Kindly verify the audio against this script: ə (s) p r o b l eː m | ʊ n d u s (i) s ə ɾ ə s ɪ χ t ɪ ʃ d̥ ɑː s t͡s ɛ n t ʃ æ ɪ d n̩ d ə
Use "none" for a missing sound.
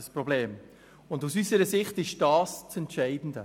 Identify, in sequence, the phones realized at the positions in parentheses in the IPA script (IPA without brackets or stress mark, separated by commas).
s, y